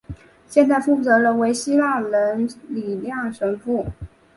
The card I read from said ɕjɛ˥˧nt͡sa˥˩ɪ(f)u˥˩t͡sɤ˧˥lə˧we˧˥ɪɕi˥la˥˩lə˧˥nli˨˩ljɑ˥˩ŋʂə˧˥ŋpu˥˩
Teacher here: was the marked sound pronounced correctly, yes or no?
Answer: yes